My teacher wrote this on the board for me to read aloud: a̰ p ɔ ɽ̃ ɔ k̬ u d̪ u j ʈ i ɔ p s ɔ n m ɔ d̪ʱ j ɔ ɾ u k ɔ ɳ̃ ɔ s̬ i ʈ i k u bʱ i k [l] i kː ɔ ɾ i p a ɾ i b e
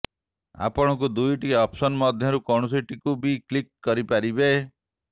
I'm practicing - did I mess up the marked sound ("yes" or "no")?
no